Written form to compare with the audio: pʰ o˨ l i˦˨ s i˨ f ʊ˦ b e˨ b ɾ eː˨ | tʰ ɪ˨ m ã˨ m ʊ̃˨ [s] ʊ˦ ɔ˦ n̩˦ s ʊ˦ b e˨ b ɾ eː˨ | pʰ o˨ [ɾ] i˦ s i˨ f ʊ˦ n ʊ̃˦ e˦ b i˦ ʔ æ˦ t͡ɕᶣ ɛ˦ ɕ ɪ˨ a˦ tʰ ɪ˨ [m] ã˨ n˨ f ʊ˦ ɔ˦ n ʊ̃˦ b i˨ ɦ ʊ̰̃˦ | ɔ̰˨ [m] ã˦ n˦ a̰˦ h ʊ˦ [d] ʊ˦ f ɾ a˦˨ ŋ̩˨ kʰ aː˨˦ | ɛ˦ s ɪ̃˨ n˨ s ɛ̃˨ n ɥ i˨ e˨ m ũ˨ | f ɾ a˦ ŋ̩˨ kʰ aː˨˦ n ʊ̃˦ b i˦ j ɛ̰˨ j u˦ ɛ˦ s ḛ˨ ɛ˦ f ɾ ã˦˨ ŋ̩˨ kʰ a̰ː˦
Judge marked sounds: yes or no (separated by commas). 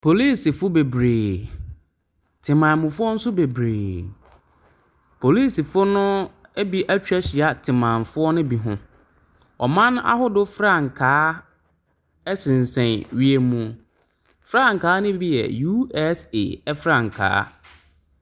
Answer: no, no, yes, yes, yes